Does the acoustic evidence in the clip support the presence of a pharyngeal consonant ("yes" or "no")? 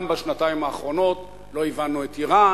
no